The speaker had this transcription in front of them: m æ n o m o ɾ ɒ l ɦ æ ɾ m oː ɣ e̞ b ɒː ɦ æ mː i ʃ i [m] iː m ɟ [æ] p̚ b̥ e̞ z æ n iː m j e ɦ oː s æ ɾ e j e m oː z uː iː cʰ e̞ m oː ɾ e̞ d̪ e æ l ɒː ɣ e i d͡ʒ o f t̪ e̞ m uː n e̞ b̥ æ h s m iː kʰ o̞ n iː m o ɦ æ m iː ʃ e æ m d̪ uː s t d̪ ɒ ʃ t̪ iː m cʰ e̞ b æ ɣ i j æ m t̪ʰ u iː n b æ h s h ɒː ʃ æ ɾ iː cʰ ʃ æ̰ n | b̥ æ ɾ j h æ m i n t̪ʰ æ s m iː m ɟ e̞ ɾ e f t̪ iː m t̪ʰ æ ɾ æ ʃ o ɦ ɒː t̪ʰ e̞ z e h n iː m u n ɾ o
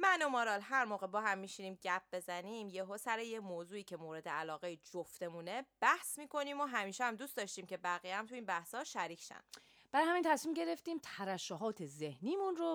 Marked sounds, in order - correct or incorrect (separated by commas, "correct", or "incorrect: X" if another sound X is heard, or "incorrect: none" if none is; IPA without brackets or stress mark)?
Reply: incorrect: n, correct